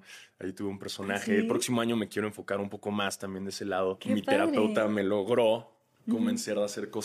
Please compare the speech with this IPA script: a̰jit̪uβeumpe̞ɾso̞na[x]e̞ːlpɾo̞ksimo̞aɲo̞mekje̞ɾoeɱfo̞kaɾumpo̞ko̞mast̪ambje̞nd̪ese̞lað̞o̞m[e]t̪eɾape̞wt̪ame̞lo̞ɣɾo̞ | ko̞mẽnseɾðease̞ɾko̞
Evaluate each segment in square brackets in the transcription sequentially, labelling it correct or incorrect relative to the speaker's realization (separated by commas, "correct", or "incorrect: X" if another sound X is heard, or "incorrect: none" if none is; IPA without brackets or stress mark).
correct, incorrect: i